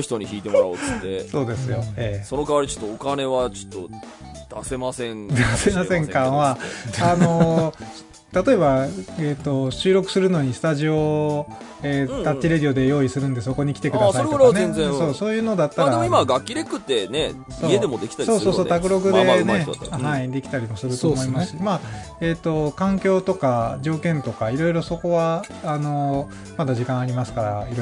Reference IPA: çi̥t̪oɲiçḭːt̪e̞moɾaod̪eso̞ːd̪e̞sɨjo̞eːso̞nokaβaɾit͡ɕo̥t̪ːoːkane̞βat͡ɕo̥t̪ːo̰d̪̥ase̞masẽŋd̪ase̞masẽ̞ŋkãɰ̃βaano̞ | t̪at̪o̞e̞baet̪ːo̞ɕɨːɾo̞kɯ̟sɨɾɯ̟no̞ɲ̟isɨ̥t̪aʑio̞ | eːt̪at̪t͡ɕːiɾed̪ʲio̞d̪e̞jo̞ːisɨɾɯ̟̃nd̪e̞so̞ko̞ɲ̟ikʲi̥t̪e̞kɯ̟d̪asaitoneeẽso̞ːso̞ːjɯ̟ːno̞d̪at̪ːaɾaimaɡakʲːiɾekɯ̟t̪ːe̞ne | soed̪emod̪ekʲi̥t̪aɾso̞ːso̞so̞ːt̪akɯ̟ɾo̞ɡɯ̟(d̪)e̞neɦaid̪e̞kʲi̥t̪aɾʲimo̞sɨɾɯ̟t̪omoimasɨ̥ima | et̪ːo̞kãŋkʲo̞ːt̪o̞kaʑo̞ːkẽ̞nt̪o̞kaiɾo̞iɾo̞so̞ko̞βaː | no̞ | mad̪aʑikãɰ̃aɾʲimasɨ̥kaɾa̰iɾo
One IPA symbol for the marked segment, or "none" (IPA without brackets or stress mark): d̪